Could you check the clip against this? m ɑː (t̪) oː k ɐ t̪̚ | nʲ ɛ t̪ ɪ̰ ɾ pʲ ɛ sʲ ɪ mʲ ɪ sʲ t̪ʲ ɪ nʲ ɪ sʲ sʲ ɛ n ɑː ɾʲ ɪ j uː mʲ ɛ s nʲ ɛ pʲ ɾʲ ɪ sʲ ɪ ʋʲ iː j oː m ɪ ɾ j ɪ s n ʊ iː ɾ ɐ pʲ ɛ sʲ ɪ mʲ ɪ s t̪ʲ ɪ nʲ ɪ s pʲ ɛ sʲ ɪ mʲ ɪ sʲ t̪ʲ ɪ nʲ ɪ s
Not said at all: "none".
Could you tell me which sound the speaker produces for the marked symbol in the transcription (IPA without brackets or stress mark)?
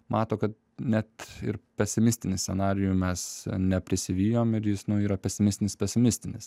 t̪